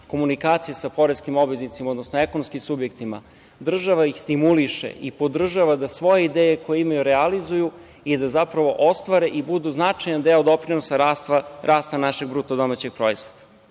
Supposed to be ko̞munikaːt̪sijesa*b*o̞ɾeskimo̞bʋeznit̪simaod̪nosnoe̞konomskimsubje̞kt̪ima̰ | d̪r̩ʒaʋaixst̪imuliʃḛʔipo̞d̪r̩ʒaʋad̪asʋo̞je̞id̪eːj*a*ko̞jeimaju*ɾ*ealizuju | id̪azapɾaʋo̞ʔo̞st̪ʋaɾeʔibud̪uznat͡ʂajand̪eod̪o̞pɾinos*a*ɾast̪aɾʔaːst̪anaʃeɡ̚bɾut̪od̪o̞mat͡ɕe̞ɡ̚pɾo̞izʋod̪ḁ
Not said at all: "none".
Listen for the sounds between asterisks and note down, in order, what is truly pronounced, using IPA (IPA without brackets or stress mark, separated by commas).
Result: p, e, ɾ, a